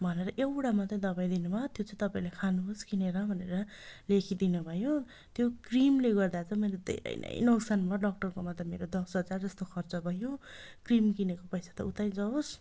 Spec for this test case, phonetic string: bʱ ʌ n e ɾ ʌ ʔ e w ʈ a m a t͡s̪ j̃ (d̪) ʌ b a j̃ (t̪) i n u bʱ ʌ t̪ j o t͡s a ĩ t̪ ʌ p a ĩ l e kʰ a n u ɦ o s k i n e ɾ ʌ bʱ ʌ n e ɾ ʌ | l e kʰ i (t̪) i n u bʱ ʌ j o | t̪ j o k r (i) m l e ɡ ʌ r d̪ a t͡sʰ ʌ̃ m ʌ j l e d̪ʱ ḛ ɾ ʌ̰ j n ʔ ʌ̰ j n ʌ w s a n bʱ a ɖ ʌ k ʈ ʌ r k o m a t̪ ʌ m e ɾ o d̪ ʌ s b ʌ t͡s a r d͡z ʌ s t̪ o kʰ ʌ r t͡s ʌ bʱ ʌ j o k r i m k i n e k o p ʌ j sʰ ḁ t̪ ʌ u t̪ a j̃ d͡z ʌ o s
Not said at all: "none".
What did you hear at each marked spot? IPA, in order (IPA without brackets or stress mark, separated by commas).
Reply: d̪, d̪, d̪, i